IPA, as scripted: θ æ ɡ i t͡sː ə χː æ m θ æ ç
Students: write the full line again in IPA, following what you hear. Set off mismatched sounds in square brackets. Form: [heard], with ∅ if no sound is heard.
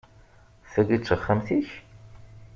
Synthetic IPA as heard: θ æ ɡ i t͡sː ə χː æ m θ [i] ç

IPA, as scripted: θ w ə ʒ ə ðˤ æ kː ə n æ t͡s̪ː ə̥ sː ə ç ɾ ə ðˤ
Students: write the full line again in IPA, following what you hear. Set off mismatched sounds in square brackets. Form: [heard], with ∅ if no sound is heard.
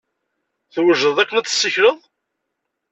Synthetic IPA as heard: θ w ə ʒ ə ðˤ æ kː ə n æ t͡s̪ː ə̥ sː ə ç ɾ ə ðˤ

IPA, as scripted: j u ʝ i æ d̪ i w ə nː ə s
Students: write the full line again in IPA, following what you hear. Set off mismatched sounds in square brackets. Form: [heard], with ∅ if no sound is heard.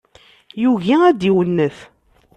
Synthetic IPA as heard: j u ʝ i æ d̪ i w ə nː ə [θ]

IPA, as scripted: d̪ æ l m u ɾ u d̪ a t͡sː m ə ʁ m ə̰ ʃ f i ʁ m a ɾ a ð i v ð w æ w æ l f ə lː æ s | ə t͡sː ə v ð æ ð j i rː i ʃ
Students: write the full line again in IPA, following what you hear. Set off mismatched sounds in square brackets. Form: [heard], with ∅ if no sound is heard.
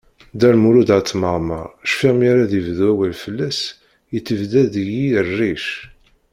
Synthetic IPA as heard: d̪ æ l m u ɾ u d̪ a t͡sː m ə ʁ m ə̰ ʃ f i ʁ m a ɾ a ð i v ð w æ w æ l f ə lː æ s | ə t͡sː ə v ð æ ð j i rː i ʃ

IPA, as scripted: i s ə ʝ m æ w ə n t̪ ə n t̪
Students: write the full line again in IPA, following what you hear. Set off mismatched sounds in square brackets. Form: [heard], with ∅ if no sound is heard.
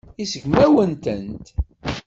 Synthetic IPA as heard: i s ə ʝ m æ w ə n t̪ ə n t̪

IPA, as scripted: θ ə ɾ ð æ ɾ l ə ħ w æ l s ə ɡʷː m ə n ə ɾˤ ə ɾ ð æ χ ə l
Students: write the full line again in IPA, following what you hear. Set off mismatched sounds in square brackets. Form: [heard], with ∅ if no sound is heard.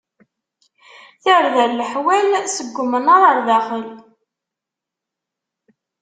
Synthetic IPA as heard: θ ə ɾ ð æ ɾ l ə ħ w æ l s ə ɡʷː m ə n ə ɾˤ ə ɾ ð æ χ ə l

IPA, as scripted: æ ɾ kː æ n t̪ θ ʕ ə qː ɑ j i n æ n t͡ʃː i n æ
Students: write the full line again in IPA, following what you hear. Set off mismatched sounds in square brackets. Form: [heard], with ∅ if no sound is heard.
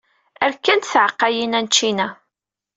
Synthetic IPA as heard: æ ɾ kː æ n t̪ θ ʕ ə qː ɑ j i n æ n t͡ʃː i n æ

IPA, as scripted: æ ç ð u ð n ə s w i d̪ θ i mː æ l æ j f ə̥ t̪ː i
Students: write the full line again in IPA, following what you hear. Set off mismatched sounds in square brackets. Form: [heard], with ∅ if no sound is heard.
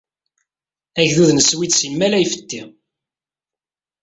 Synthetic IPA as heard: æ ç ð u ð n ə s w i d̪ [s] i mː æ l æ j f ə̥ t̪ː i

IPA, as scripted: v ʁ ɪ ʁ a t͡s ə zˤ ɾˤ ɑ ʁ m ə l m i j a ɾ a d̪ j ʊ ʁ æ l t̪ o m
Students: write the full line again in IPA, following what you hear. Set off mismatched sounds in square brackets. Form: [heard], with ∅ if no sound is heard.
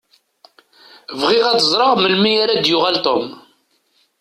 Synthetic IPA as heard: v ʁ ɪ ʁ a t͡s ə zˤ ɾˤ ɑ ʁ m ə l m i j a ɾ a d̪ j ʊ ʁ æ l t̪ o m

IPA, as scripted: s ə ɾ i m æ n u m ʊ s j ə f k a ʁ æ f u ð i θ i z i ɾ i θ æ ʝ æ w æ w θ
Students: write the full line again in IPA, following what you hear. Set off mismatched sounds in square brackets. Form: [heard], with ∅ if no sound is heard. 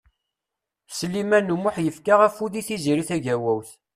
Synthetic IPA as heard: s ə [l] i m æ n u m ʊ [ħ] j ə f k a ʁ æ f u ð i θ i z i ɾ i θ æ ʝ æ w æ w θ

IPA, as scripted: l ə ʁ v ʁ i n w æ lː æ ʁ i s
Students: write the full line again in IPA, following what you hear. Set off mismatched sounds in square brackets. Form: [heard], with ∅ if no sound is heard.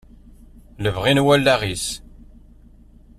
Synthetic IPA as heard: l ə [∅] v ʁ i n w æ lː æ ʁ i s

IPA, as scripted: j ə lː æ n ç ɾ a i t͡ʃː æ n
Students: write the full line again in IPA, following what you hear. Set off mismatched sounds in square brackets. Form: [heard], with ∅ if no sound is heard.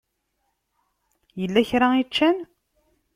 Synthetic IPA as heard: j ə lː æ [∅] ç ɾ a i t͡ʃː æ n

